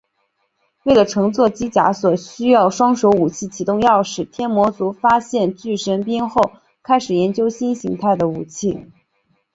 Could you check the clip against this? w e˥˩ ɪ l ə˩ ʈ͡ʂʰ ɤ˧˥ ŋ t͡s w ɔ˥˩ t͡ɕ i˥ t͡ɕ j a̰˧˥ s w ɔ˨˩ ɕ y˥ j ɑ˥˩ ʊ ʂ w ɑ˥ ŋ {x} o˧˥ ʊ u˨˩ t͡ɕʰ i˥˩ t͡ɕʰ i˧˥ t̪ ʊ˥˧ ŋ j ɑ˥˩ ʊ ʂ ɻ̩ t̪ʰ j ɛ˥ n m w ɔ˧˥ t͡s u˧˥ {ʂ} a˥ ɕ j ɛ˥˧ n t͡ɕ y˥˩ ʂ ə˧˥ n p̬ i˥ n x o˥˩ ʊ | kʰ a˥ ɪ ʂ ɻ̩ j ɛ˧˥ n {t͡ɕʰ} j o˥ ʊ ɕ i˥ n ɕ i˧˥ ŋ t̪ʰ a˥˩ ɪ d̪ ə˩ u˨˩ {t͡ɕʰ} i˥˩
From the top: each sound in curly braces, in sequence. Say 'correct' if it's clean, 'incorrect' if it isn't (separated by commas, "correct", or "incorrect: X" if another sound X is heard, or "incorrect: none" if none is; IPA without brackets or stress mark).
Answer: incorrect: ʂ, incorrect: f, incorrect: t͡ɕ, correct